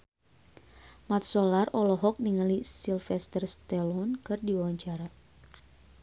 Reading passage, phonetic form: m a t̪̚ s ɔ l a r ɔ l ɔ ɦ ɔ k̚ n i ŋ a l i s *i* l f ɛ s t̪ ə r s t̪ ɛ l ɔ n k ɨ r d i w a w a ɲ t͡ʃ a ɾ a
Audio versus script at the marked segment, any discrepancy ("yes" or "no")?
no